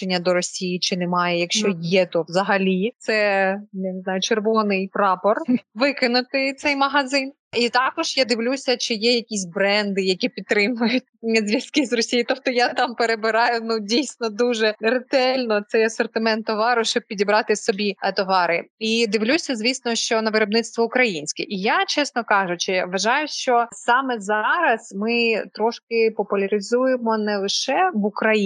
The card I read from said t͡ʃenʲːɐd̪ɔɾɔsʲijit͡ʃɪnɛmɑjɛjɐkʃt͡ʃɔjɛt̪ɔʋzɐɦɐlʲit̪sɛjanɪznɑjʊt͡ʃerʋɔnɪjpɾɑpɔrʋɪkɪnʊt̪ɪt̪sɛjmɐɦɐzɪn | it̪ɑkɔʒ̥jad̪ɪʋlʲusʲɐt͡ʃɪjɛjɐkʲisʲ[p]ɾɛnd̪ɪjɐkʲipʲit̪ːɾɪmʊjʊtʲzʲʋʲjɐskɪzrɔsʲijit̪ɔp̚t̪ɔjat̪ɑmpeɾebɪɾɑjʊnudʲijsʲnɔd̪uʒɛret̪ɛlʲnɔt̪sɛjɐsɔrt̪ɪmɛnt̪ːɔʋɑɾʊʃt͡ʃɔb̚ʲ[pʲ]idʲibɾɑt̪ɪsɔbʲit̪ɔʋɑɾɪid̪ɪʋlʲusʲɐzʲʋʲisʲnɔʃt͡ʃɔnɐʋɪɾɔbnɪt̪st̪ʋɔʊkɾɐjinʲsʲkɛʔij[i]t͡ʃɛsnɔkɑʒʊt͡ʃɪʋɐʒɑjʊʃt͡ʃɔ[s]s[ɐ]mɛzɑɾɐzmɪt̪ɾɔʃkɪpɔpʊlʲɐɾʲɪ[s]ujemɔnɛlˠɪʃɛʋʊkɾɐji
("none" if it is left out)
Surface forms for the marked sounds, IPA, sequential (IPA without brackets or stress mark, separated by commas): b, pʲ, a, s, ɑ, z